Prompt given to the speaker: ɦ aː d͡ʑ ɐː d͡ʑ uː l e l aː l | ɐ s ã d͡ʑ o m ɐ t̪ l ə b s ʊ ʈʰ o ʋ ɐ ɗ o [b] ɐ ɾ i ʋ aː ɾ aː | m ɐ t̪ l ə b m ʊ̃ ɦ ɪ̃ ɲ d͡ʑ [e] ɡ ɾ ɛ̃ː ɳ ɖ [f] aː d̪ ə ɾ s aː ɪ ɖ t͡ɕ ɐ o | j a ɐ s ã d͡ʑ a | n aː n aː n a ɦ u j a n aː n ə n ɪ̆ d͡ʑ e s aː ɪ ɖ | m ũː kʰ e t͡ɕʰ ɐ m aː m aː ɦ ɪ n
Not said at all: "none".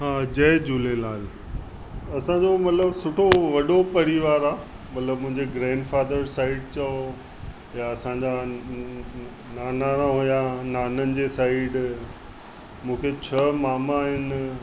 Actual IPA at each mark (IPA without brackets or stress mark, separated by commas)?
p, e, f